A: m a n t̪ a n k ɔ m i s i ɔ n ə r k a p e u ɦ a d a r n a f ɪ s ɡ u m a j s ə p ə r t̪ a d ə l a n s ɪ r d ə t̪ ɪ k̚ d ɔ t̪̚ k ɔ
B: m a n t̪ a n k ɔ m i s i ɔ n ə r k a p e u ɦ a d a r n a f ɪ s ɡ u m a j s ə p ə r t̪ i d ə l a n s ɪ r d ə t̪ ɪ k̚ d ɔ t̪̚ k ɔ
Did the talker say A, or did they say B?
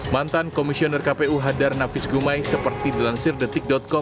B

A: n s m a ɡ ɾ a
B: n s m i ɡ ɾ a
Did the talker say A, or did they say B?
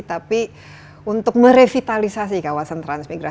B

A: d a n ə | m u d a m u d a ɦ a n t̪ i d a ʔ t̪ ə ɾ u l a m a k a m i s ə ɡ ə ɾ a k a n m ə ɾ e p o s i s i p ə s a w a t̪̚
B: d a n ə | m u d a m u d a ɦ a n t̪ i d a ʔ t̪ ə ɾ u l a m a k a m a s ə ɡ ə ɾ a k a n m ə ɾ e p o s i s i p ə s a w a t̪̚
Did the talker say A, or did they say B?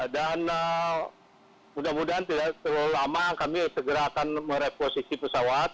A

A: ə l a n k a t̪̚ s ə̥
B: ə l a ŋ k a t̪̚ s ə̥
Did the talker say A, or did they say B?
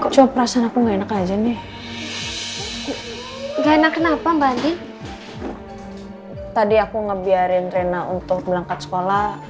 B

